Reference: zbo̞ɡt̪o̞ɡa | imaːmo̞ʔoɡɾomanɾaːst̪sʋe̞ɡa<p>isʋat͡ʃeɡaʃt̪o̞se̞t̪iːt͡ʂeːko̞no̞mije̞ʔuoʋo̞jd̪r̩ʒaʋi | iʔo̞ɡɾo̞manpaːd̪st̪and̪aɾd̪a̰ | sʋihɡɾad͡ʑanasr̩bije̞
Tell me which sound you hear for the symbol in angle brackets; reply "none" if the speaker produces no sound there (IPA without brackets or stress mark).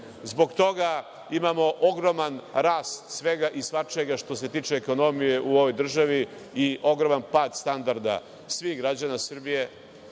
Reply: ʔ